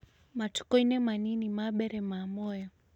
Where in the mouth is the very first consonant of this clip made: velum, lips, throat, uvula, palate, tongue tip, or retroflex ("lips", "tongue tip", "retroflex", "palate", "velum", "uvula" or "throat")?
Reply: lips